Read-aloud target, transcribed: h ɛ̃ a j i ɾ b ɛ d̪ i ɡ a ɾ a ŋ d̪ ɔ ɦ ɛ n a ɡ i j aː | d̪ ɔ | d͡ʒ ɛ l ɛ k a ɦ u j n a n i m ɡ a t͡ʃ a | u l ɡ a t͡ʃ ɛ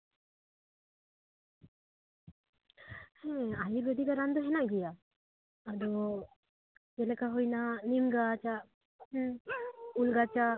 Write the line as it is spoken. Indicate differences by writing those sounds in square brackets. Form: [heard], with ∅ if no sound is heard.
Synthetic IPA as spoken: h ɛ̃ a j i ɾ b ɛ d̪ i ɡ a ɾ a [n] d̪ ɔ ɦ ɛ n a ɡ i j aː | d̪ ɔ | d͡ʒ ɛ l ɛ k a ɦ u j n a n i m ɡ a t͡ʃ a | u l ɡ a t͡ʃ [a]